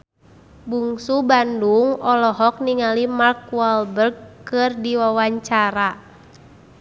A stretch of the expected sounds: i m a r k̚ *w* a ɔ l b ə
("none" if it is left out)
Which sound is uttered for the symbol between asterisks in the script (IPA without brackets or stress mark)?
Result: w